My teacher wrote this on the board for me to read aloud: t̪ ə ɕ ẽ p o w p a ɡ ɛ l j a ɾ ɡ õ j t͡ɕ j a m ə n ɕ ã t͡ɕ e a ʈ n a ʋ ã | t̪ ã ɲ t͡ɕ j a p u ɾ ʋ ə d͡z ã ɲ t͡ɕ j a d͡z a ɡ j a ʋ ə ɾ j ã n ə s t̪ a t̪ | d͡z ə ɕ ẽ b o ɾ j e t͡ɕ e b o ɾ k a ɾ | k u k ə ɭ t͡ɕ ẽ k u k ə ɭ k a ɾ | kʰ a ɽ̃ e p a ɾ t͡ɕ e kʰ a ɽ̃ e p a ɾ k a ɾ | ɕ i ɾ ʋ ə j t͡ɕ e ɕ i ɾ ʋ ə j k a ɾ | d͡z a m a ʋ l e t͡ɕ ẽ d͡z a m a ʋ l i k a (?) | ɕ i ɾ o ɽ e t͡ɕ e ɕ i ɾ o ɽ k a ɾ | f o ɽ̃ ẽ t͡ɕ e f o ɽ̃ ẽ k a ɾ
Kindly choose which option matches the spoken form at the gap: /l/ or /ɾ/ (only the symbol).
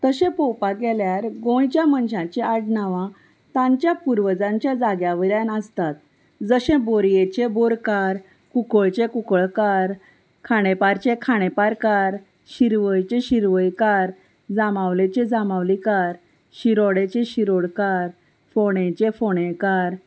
ɾ